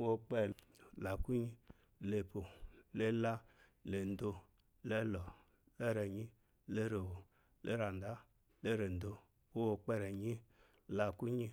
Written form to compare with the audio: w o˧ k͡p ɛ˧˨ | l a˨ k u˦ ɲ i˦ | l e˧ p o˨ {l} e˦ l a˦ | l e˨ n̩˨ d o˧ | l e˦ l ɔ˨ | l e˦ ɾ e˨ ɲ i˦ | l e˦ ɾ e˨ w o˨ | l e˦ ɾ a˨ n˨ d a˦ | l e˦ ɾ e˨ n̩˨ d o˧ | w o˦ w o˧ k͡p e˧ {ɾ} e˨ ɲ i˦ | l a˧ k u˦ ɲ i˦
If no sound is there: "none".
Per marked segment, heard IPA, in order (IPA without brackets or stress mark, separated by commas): l, ɾ